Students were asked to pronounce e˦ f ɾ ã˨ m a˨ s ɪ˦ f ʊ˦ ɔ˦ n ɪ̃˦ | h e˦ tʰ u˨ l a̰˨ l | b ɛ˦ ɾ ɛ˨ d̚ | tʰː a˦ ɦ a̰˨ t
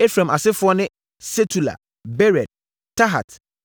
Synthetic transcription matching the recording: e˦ f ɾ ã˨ m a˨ s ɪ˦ f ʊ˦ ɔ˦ n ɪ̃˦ | s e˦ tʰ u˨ l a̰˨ | b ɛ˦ ɾ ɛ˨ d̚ | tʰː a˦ ɦ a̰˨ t